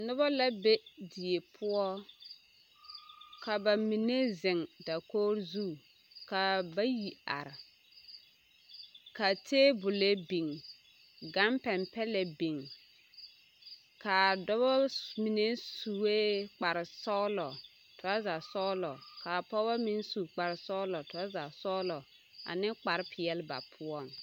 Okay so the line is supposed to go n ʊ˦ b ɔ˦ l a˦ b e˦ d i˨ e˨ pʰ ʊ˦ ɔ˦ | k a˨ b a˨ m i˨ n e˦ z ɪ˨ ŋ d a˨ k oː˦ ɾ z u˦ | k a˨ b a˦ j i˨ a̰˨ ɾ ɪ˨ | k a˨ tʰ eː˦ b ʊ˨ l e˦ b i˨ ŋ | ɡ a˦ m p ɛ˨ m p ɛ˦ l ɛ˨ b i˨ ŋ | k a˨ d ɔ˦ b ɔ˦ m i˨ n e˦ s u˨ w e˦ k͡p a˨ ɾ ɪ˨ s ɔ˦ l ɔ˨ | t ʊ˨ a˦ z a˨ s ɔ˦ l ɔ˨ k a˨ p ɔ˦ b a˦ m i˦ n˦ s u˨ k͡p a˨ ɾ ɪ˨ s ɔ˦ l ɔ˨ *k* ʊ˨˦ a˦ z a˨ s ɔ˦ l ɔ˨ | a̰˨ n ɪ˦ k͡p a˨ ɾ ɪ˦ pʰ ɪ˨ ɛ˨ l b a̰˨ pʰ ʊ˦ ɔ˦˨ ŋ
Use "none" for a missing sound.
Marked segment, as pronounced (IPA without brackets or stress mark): t